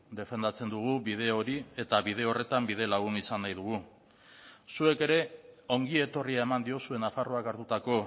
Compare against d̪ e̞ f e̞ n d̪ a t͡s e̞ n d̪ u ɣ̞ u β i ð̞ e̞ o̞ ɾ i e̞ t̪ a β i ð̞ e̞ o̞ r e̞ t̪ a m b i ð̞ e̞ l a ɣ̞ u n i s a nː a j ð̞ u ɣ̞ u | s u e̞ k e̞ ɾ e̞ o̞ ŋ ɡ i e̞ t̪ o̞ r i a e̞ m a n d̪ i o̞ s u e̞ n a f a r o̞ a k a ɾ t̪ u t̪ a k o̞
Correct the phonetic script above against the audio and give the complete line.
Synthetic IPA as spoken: d̪ e̞ f e̞ n d̪ a t͡s e̞ n d̪ u ɣ̞ u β i ð̞ e̞ o̞ ɾ i e̞ t̪ a β i ð̞ e̞ o̞ r e̞ t̪ a m b i ð̞ e̞ l a ɣ̞ u n i s a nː a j ð̞ u ɣ̞ u | s u e̞ k e̞ ɾ e̞ o̞ ŋ ɡ i e̞ t̪ o̞ r i a e̞ m a n d̪ i o̞ s u e̞ n a f a r o̞ a k a ɾ t̪ u t̪ a k o̞